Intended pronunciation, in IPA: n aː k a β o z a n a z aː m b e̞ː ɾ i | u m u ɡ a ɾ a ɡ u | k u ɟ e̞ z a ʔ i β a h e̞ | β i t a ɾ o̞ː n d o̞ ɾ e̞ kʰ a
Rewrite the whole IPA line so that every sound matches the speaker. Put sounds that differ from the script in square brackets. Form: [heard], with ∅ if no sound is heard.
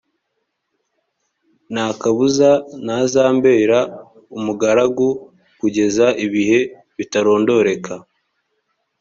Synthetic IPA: n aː k a β [u] z a n a z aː m b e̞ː ɾ [a] | u m u ɡ a ɾ a ɡ u | k u ɟ e̞ z a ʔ i β [i] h e̞ | β i t a ɾ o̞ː n d o̞ ɾ e̞ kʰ a